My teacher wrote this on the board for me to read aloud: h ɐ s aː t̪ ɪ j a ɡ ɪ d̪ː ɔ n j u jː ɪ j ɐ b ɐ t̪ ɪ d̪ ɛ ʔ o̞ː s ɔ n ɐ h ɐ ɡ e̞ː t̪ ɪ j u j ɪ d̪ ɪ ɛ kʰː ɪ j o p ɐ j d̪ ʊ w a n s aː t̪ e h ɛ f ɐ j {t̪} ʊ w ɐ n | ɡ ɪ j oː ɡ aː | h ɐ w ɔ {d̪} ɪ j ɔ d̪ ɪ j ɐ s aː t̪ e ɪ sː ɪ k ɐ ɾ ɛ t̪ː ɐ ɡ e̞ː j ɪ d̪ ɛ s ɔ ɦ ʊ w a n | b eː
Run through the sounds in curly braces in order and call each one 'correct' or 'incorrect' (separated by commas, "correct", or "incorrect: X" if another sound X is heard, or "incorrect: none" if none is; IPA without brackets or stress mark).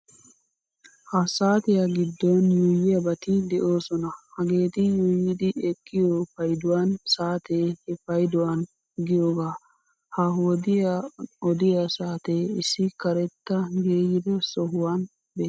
incorrect: d̪, correct